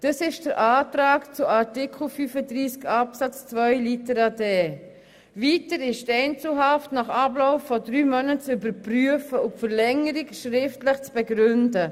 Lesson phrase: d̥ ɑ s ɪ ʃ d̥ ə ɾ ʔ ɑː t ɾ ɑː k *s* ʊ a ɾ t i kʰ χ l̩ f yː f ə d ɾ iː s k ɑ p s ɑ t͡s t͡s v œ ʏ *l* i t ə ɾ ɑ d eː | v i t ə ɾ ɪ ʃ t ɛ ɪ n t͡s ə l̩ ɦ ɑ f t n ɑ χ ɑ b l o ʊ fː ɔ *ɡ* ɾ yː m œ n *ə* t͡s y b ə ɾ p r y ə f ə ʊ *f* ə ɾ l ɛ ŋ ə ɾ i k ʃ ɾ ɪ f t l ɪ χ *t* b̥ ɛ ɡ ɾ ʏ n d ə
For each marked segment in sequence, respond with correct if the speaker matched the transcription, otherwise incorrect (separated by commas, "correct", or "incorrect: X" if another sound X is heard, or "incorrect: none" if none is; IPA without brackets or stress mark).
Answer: incorrect: t͡s, correct, incorrect: d, correct, correct, incorrect: t͡s